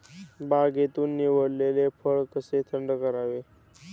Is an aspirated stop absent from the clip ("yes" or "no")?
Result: no